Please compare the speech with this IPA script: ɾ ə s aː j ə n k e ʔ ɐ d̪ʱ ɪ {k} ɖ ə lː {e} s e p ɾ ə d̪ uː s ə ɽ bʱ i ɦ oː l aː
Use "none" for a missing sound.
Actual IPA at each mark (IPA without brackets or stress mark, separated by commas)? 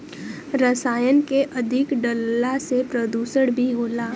k, a